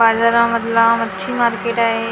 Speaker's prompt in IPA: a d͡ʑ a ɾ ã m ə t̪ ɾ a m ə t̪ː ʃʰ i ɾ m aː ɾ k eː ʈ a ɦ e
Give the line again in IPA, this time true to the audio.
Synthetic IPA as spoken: a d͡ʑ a ɾ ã m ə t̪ l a m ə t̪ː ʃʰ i m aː ɾ k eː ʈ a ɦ e